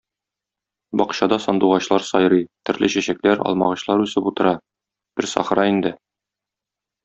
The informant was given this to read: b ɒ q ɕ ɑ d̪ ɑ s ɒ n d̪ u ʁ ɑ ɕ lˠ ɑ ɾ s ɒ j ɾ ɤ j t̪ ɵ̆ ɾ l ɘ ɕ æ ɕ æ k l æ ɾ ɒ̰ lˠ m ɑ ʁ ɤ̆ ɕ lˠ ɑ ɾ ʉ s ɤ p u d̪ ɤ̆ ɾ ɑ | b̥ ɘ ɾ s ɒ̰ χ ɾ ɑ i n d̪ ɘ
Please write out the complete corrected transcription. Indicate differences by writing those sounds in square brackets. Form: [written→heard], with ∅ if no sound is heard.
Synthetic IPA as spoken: b ɒ q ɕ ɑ d̪ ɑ s ɒ n d̪ u ʁ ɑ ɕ lˠ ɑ ɾ s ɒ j ɾ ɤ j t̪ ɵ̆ ɾ l ɘ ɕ æ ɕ æ k l æ ɾ ɒ̰ lˠ m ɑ ʁ ɤ̆ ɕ lˠ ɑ ɾ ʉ s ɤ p u [d̪→t̪] ɤ̆ ɾ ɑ | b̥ ɘ ɾ s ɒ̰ χ ɾ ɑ i n d̪ ɘ